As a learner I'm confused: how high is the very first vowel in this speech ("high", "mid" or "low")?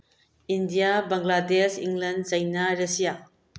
high